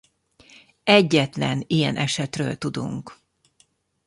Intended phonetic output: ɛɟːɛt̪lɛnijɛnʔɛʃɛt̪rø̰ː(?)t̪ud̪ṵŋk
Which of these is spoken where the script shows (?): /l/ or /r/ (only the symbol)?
l